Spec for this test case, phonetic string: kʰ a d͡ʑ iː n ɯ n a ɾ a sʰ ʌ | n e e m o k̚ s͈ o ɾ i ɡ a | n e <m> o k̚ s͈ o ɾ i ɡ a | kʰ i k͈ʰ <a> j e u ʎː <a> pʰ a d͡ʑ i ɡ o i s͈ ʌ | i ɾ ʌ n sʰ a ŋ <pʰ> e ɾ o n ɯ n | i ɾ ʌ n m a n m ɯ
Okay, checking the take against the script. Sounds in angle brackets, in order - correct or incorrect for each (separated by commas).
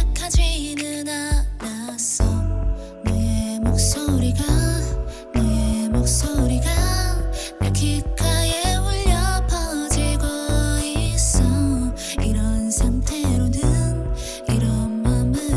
correct, correct, incorrect, incorrect